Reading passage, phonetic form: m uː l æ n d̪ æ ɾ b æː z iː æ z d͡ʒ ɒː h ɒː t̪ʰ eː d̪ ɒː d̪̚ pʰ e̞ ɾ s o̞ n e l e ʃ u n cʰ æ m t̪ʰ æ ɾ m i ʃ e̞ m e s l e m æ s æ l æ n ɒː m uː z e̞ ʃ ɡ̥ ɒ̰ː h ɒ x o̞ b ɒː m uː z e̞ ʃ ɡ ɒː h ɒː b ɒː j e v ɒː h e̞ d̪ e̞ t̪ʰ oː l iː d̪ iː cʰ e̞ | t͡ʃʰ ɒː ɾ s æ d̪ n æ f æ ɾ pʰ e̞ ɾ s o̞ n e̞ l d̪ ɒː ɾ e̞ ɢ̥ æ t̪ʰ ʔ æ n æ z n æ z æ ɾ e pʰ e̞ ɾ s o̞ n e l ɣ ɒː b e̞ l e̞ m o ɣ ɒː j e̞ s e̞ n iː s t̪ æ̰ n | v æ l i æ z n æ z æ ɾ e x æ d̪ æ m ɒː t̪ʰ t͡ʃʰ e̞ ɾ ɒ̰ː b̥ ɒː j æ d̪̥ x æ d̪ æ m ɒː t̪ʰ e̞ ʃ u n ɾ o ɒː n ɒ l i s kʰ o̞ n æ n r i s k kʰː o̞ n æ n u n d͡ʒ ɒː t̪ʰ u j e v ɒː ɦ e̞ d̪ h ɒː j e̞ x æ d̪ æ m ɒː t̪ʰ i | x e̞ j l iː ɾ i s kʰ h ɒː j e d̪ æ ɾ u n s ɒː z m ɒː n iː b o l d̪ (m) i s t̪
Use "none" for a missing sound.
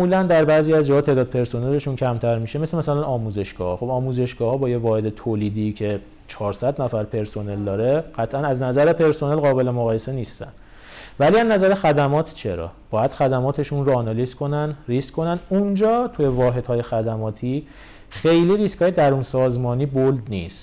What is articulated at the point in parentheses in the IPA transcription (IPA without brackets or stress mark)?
n